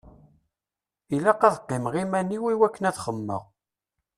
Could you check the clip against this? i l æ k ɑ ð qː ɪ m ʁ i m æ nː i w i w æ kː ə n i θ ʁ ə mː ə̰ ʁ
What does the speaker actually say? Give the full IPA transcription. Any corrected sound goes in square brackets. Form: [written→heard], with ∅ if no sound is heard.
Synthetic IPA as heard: i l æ [k→q] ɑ ð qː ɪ m ʁ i m æ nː i w i w æ kː ə n [i→æ] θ [ʁ→χ] ə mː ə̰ ʁ